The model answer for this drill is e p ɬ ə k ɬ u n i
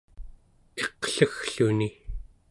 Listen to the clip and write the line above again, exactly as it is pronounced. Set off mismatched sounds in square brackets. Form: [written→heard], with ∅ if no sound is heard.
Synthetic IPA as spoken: e [p→q] ɬ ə [k→x] ɬ u n i